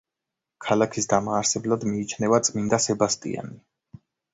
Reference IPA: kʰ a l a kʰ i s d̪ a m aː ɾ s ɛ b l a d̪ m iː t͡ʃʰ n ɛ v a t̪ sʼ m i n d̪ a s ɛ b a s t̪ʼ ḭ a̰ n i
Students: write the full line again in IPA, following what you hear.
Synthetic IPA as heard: kʰ a l a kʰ i s d̪ a m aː ɾ s ɛ b l a d̪ m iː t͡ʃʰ n ɛ v a t̪ sʼ m i n d̪ a s ɛ b a s t̪ʼ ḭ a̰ n i